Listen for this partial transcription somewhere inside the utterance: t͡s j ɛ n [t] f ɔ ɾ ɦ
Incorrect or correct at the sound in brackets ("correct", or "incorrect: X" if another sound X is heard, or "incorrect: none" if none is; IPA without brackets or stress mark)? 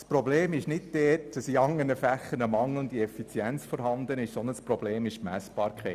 incorrect: t͡s